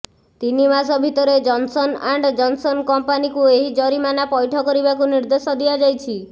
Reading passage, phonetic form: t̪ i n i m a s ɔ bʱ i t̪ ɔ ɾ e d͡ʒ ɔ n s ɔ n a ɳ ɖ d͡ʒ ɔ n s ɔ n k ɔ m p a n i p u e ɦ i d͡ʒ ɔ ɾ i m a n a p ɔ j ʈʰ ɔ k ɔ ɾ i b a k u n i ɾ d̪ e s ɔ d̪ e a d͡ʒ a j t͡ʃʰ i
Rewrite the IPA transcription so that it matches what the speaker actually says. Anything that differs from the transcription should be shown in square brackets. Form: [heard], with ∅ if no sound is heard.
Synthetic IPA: t̪ i n i m a s ɔ bʱ i t̪ ɔ ɾ e d͡ʒ ɔ n s ɔ n a ɳ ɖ d͡ʒ ɔ n s ɔ n k ɔ m p a n i [k] u e ɦ i d͡ʒ ɔ ɾ i m a n a p ɔ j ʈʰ ɔ k ɔ ɾ i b a k u n i ɾ d̪ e s ɔ d̪ [i] a d͡ʒ a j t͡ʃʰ i